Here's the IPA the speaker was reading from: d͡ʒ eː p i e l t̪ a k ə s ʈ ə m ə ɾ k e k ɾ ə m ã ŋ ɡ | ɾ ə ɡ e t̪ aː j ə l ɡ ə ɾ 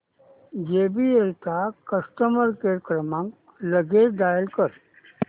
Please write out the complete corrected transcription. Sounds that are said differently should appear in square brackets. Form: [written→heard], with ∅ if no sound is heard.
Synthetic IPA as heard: d͡ʒ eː [p→b] i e l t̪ a k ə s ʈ ə m ə ɾ k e k ɾ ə m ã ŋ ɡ | [ɾ→l] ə ɡ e [t̪→d̪] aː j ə l [ɡ→k] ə ɾ